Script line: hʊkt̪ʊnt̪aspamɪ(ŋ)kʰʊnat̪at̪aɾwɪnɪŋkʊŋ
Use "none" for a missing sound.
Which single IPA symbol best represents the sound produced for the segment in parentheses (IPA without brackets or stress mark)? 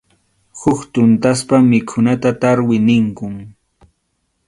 none